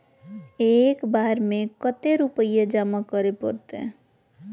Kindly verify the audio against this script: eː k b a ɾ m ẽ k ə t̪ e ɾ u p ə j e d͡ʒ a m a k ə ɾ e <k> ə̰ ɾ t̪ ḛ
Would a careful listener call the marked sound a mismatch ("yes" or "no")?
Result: yes